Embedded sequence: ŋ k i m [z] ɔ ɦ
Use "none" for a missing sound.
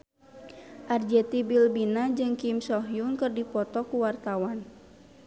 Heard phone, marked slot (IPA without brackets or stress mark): s